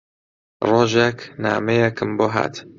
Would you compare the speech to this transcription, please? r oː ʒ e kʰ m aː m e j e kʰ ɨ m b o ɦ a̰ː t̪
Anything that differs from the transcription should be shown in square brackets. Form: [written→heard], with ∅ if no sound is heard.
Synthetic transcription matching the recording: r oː ʒ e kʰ [m→n] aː m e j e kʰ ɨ m b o ɦ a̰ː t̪